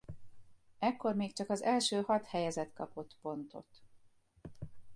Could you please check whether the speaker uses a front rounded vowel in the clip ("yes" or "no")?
yes